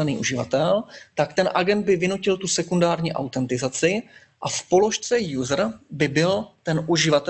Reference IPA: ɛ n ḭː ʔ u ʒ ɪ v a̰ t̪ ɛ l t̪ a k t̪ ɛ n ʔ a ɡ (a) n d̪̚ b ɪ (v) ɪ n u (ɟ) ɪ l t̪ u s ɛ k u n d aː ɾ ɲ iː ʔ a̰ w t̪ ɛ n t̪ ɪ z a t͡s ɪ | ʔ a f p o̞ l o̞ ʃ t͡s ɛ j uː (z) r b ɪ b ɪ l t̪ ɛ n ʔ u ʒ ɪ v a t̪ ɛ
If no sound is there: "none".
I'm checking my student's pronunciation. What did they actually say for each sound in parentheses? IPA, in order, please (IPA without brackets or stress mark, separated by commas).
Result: ɛ, v, c, z